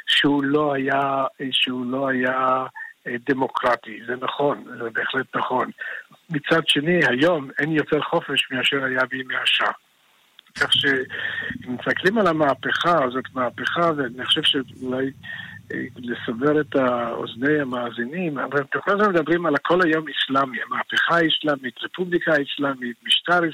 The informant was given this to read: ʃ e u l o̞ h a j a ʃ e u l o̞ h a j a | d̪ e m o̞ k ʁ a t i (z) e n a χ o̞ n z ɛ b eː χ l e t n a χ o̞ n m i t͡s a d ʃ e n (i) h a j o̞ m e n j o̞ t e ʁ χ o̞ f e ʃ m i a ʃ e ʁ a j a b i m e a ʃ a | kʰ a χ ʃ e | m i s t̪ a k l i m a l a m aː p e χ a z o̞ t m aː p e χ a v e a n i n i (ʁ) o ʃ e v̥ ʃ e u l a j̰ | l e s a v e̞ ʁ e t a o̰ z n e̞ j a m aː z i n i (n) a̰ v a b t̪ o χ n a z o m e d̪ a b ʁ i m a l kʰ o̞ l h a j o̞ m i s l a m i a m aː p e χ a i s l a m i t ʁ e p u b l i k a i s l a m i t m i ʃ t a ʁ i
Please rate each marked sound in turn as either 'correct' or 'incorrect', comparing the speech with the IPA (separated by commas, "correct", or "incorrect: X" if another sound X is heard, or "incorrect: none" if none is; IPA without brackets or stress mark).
correct, correct, incorrect: χ, incorrect: m